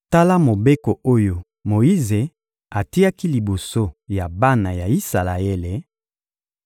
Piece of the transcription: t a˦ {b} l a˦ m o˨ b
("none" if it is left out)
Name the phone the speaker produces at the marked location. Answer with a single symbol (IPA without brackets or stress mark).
none